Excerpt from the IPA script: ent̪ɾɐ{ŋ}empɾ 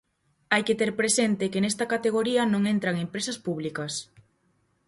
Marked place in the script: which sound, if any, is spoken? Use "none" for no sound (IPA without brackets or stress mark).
ŋ